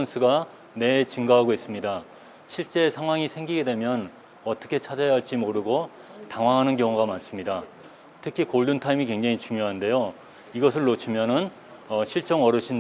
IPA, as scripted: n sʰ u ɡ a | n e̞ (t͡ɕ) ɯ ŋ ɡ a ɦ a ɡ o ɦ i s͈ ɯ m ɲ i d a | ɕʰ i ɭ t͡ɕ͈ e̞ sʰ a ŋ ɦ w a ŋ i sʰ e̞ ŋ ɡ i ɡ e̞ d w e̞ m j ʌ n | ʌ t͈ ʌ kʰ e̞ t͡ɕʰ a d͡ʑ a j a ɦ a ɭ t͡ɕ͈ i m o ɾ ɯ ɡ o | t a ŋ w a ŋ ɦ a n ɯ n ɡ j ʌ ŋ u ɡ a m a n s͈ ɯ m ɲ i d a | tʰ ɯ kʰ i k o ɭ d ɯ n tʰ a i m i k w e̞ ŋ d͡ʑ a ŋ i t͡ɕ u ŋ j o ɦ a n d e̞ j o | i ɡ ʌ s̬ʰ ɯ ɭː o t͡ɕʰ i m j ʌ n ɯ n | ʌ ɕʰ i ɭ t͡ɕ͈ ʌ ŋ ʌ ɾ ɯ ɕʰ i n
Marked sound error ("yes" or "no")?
no